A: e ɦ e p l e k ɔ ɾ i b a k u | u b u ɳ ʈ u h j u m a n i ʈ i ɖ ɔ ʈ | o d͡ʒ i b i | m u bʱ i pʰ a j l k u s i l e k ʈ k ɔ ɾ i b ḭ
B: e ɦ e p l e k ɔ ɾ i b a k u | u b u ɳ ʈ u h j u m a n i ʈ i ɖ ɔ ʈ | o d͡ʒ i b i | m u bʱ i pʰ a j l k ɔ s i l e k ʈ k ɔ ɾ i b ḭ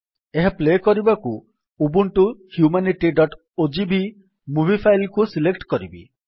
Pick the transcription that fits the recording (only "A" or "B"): A